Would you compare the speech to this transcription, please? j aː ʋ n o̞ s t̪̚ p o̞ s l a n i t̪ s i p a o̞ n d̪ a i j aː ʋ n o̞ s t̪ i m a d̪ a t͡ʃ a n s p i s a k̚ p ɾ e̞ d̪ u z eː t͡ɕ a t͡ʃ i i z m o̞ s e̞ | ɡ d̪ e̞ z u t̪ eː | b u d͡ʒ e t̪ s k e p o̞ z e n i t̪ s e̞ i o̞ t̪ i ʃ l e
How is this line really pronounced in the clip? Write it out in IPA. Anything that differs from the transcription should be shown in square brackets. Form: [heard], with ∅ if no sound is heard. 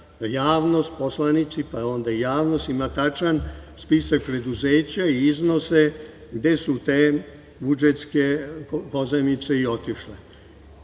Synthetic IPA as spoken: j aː ʋ n o̞ s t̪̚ p o̞ s l a n i t̪ s i p a o̞ n d̪ a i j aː ʋ n o̞ s t̪ i m a [t̪] a t͡ʃ a n s p i s a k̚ p ɾ e̞ d̪ u z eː t͡ɕ a [∅] i i z [n] o̞ s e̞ | ɡ d̪ e̞ [s] u t̪ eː | b u d͡ʒ e t̪ s k e p o̞ z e [m] i t̪ s e̞ i o̞ t̪ i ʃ l e

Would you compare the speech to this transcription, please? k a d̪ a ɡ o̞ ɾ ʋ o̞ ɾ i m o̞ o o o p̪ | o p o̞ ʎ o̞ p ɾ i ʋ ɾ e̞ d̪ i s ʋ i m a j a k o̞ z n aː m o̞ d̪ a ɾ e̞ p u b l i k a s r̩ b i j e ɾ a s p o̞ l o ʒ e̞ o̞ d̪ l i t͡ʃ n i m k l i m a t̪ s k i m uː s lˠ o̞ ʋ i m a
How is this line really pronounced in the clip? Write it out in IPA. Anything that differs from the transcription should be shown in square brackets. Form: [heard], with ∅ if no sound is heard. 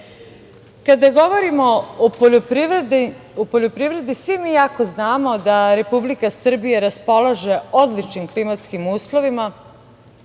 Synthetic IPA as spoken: k a d̪ a ɡ o̞ [∅] ʋ o̞ ɾ i m o̞ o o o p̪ | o p o̞ ʎ o̞ p ɾ i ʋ ɾ e̞ d̪ i s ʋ i m [i] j a k o̞ z n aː m o̞ d̪ a ɾ e̞ p u b l i k a s r̩ b i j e ɾ a s p o̞ l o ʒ e̞ o̞ d̪ l i t͡ʃ n i m k l i m a t̪ s k i m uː s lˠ o̞ ʋ i m a

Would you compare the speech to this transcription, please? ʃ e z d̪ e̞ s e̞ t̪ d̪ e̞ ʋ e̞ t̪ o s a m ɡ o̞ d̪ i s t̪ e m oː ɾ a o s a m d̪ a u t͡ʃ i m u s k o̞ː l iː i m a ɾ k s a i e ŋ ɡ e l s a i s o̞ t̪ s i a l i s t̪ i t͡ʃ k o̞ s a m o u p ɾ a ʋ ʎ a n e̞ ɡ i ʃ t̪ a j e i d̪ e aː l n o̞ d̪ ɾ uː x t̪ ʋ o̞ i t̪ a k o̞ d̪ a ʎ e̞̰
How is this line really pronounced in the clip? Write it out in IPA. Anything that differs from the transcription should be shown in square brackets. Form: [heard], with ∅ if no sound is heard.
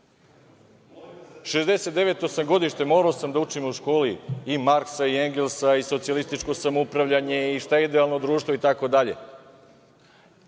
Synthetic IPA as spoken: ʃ e z d̪ e̞ s e̞ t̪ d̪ e̞ ʋ e̞ t̪ o s a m ɡ o̞ d̪ i [ʃ] t̪ e m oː ɾ a o s a m d̪ a u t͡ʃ i m u [ʃ] k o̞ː l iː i m a ɾ k s a i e ŋ ɡ e l s a i s o̞ t̪ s i a l i s t̪ i t͡ʃ k o̞ s a m o u p ɾ a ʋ ʎ a [ɲ] e̞ [∅] i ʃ t̪ a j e i d̪ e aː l n o̞ d̪ ɾ uː [ʃ] t̪ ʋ o̞ i t̪ a k o̞ d̪ a ʎ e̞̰

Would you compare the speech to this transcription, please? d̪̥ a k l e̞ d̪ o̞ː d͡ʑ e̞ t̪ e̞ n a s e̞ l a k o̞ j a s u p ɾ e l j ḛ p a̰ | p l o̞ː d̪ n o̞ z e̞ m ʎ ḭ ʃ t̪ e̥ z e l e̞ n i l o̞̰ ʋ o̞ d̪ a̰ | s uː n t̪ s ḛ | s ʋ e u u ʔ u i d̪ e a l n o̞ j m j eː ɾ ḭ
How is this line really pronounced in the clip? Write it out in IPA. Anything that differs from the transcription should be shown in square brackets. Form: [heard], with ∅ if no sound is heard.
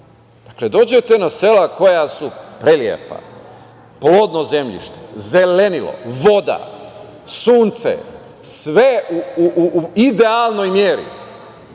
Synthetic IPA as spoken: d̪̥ a k l e̞ d̪ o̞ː d͡ʑ e̞ t̪ e̞ n a s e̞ l a k o̞ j a s u p ɾ e l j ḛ p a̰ | p l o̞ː d̪ n o̞ z e̞ m ʎ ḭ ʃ t̪ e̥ z e l e̞ n i l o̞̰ ʋ o̞ d̪ a̰ | s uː n t̪ s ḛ | s ʋ e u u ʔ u i d̪ e a l n o̞ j m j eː ɾ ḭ

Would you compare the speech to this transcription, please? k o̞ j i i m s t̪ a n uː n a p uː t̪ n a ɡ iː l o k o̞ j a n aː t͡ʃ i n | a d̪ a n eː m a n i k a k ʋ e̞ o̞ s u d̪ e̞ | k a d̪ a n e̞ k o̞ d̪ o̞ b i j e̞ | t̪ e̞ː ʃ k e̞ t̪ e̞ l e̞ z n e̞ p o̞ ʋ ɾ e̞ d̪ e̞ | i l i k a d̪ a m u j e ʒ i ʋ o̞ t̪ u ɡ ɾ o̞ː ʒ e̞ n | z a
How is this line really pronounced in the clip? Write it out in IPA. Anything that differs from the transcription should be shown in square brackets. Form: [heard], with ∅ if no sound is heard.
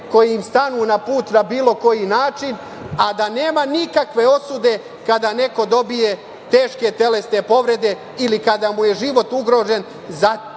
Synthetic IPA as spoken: k o̞ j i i m s t̪ a n uː n a p uː t̪ n a [b] iː l o k o̞ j [i] n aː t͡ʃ i n | a d̪ a n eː m a n i k a k ʋ e̞ o̞ s u d̪ e̞ | k a d̪ a n e̞ k o̞ d̪ o̞ b i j e̞ | t̪ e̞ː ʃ k e̞ t̪ e̞ l e̞ [s] n e̞ p o̞ ʋ ɾ e̞ d̪ e̞ | i l i k a d̪ a m u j e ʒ i ʋ o̞ t̪ u ɡ ɾ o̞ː ʒ e̞ n | z a

